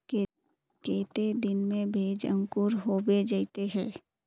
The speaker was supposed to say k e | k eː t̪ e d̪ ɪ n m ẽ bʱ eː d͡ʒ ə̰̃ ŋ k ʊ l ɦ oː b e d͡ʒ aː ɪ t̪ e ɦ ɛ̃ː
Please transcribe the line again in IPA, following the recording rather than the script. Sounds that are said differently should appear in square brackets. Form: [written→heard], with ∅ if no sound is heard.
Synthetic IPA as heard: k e | k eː t̪ e d̪ ɪ n m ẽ bʱ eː d͡ʒ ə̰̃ ŋ k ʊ [l→ɾ] ɦ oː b e d͡ʒ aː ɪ t̪ e ɦ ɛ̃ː